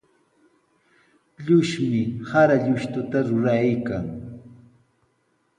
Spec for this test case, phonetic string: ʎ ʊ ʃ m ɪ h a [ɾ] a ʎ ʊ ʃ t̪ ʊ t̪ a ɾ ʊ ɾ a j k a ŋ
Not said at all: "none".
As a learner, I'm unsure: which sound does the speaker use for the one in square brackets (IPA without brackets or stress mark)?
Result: ɾ